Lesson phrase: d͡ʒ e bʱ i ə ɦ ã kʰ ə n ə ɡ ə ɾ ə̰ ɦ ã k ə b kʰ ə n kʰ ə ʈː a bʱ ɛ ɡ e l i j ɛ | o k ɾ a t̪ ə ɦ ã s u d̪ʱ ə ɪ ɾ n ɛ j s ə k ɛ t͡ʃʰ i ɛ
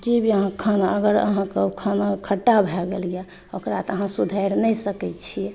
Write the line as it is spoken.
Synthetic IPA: d͡ʒ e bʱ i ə ɦ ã kʰ ə n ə ɡ ə ɾ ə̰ ɦ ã k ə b kʰ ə n kʰ ə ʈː a bʱ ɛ ɡ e l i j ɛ | o k ɾ a t̪ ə ɦ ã s u d̪ʱ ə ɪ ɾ n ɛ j s ə k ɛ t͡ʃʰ i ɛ